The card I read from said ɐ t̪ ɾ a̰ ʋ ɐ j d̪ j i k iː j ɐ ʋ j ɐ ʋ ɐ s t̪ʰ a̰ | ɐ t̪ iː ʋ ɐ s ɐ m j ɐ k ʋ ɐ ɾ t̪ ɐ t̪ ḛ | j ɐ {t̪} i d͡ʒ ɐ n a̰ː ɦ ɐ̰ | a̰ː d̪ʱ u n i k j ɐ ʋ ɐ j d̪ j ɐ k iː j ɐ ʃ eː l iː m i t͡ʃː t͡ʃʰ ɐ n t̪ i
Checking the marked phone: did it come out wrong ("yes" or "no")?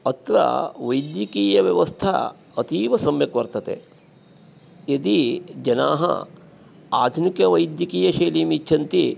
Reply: yes